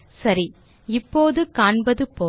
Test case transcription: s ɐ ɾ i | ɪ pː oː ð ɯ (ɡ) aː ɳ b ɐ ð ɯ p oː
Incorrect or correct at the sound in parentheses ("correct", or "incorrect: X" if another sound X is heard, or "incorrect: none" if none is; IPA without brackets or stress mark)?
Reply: incorrect: k